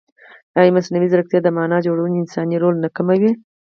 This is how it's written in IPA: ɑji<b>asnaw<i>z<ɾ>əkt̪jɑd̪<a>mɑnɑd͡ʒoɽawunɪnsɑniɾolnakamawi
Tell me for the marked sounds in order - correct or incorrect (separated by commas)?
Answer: incorrect, correct, correct, incorrect